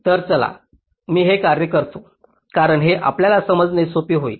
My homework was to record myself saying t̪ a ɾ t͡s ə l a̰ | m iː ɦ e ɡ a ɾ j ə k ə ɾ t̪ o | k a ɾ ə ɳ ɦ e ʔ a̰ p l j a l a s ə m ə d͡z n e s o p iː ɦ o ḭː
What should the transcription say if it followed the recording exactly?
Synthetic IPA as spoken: t̪ ə ɾ t͡s ə l a̰ | m iː ɦ e k a ɾ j ə k ə ɾ t̪ o | k a ɾ ə ɳ ɦ e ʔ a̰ p l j a l a s ə m ə d͡z n e s o p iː ɦ o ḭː